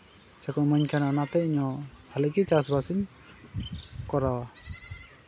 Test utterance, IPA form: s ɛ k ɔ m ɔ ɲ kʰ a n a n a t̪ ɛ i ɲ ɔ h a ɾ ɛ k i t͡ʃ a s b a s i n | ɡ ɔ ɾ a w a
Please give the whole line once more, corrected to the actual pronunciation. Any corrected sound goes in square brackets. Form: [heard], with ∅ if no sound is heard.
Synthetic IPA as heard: s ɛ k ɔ m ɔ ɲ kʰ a n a n a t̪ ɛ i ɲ ɔ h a [l] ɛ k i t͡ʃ a s b a s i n | [k] ɔ ɾ a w a